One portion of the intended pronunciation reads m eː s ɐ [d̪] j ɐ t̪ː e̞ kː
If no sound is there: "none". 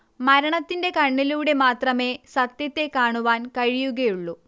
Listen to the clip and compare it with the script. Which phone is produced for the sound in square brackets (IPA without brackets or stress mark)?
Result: t̪